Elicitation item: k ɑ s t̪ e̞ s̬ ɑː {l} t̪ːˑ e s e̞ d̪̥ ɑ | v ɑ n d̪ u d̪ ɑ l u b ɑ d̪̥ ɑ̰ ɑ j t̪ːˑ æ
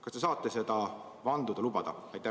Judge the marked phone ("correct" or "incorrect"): incorrect